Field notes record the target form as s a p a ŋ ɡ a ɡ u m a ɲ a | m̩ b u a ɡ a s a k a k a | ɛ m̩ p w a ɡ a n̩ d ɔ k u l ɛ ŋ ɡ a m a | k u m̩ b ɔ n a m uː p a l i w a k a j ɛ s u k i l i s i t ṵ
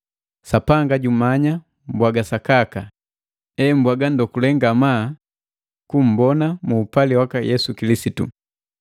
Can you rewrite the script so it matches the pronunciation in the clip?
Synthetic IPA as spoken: s a p a ŋ ɡ a ɟ u m a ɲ a | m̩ b w a ɡ a s a k a k a | ɛ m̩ b w a ɡ a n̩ d ɔ k u l ɛ ŋ ɡ a m a | k u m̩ b ɔ n a m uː p a l i w a k a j ɛ s u k i l i s i t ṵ